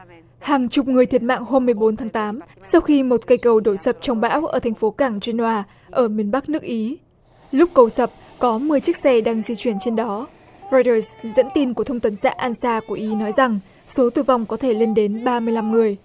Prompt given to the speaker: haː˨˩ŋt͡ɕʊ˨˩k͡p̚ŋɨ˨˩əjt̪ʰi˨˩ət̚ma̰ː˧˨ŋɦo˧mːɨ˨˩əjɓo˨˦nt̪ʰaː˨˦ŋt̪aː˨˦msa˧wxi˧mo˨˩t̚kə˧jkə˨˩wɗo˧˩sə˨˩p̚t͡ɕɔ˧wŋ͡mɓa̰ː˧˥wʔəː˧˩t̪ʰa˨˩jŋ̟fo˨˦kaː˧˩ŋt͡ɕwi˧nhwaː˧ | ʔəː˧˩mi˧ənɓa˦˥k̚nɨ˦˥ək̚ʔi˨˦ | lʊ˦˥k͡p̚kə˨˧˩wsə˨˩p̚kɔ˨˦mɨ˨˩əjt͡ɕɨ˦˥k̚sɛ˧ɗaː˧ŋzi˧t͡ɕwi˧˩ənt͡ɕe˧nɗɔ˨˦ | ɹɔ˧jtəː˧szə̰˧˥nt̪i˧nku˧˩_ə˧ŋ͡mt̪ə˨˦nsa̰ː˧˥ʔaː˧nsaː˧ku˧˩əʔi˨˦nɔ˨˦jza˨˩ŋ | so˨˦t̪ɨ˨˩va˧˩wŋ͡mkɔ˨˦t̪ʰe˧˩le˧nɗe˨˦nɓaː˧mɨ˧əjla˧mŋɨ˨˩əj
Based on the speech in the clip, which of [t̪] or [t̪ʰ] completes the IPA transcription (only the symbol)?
t̪ʰ